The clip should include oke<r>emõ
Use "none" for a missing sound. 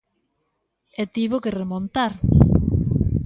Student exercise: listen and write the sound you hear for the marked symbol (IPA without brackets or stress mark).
r